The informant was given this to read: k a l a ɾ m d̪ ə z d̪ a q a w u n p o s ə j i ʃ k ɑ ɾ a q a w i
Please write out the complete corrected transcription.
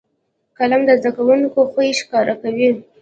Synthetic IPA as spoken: k a l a m d̪ ə z d̪ a k a w u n k o x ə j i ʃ k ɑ ɾ a k a w i